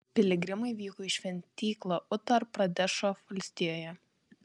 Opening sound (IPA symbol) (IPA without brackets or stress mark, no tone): pʲ